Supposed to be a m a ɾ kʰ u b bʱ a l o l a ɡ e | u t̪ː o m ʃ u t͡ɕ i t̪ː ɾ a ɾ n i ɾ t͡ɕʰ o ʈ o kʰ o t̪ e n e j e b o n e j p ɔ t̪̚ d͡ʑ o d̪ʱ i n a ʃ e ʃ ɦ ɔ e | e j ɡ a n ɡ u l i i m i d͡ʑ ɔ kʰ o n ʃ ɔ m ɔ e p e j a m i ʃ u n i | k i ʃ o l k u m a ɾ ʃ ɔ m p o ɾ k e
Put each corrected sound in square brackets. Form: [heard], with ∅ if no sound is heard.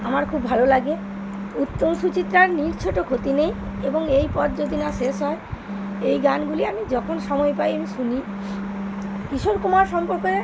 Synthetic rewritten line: a m a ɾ kʰ u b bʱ a l o l a ɡ e | u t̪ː o m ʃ u t͡ɕ i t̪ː ɾ a ɾ n i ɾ t͡ɕʰ o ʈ o kʰ o t̪ [i] n e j e b o [ŋ] e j p ɔ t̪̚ d͡ʑ o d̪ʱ i n a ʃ e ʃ ɦ ɔ e | e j ɡ a n ɡ u l i [a] m i d͡ʑ ɔ kʰ o n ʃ ɔ m ɔ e p [a] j a m i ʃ u n i | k i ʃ o [ɾ] k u m a ɾ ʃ ɔ m p o ɾ k e